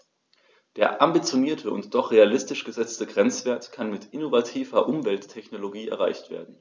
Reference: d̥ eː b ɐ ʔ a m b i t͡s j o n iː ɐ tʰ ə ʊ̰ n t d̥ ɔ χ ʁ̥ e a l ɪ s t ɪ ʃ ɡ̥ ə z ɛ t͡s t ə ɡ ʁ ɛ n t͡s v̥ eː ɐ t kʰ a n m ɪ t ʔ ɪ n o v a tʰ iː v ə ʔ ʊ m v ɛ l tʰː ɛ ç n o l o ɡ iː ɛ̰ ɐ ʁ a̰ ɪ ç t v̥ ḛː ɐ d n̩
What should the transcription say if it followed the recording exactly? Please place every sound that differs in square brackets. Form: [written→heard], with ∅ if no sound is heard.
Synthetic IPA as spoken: d̥ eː [b→∅] ɐ ʔ a m b i t͡s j o n iː ɐ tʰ ə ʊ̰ n t d̥ ɔ χ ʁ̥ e a l ɪ s t ɪ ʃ ɡ̥ ə z ɛ t͡s t ə ɡ ʁ ɛ n t͡s v̥ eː ɐ t kʰ a n m ɪ t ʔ ɪ n o v a tʰ iː v [ə→ɐ] ʔ ʊ m v ɛ l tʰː ɛ ç n o l o ɡ iː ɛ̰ ɐ ʁ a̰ ɪ ç t v̥ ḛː ɐ d n̩

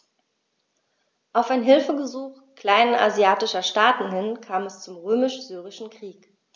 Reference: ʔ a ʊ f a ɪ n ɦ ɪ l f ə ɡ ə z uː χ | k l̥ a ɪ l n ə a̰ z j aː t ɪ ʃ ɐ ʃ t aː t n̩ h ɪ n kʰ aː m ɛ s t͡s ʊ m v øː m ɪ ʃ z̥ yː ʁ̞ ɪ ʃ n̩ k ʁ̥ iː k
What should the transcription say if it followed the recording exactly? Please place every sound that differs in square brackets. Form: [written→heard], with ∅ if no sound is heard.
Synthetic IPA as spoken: ʔ a ʊ f a ɪ n ɦ ɪ l f ə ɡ ə z uː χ | k l̥ a ɪ [l→∅] n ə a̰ z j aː t ɪ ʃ ɐ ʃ t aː t n̩ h ɪ n kʰ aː m ɛ s t͡s ʊ m [v→ʁ] øː m ɪ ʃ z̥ yː ʁ̞ ɪ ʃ n̩ k ʁ̥ iː k

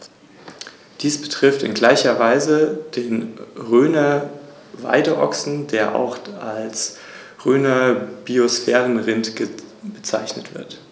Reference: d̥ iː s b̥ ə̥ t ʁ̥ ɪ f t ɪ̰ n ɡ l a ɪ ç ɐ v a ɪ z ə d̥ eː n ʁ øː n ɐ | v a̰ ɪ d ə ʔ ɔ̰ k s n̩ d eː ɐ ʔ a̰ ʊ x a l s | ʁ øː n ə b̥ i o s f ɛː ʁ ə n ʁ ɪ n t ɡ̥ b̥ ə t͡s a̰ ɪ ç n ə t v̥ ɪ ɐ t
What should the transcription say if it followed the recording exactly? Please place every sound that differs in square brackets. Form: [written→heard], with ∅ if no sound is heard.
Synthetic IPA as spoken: d̥ iː s b̥ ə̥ t ʁ̥ ɪ f t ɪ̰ n ɡ l a ɪ ç ɐ v a ɪ z ə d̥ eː n ʁ øː n ɐ | v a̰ ɪ d ə ʔ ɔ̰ k s n̩ d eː ɐ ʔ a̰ ʊ x a l s | ʁ øː n [ə→ɐ] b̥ i o s f ɛː ʁ ə n ʁ ɪ n t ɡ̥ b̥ ə t͡s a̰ ɪ ç n ə t v̥ ɪ ɐ t

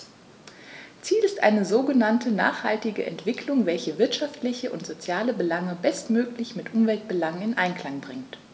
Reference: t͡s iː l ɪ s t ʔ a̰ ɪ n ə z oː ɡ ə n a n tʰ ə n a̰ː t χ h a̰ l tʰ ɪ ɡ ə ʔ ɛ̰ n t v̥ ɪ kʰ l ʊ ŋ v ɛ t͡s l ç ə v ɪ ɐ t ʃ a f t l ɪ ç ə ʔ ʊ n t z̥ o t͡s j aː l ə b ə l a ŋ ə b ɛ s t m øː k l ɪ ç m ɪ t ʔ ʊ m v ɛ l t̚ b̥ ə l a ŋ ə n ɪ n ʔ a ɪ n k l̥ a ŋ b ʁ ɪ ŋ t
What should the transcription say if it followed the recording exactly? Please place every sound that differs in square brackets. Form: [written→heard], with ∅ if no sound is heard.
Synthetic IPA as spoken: t͡s iː l ɪ s t ʔ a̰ ɪ n ə z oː ɡ ə n a n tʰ ə n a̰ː [t→∅] χ h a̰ l [tʰ→t] ɪ ɡ ə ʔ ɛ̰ n t v̥ ɪ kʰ l ʊ ŋ v ɛ [t͡s→∅] l ç ə v ɪ ɐ t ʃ a f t l ɪ ç ə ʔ ʊ n t z̥ o t͡s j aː l ə b ə l a ŋ ə b ɛ s t m øː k l ɪ ç m ɪ t ʔ ʊ m v ɛ l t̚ b̥ ə l a ŋ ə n ɪ n ʔ a ɪ n k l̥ a ŋ b ʁ ɪ ŋ t

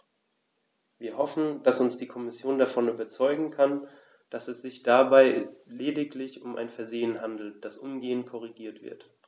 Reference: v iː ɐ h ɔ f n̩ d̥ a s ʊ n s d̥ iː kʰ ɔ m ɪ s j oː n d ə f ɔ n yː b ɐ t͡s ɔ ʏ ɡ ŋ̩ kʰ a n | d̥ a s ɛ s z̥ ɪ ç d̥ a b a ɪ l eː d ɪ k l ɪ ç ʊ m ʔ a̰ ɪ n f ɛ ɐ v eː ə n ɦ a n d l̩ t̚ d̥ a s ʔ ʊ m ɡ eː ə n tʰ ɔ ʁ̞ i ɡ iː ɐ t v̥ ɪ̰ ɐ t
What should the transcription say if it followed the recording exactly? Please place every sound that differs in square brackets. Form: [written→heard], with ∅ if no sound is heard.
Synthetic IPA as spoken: v iː ɐ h ɔ f n̩ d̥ a s ʊ n s d̥ iː kʰ ɔ m ɪ s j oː n d [ə→a] f ɔ n yː b ɐ t͡s ɔ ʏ ɡ ŋ̩ kʰ a n | d̥ a s ɛ s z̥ ɪ ç d̥ a b a ɪ l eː d ɪ k l ɪ ç ʊ m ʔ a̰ ɪ n f ɛ ɐ [v→z] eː ə n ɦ a n d l̩ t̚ d̥ a s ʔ ʊ m ɡ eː ə n [tʰ→kʰ] ɔ ʁ̞ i ɡ iː ɐ t v̥ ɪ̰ ɐ t

